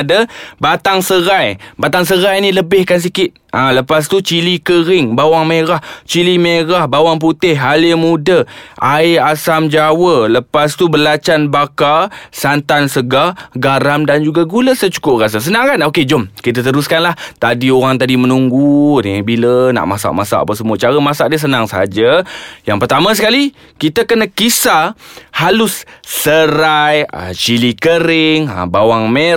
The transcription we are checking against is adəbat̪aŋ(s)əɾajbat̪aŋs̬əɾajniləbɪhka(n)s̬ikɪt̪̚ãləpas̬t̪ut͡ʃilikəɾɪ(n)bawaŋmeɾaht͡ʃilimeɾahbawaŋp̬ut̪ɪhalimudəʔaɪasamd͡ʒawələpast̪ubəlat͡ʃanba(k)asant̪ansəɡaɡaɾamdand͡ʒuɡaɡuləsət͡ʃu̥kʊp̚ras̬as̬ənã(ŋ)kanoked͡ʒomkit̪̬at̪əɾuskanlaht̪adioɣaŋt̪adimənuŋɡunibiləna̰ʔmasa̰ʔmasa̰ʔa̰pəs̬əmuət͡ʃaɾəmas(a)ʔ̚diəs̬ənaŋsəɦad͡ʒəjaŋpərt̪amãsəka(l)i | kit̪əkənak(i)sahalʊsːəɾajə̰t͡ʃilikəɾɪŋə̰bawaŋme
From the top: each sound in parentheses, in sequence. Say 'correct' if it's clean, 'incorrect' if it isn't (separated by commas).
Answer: correct, correct, incorrect, correct, correct, correct, correct, correct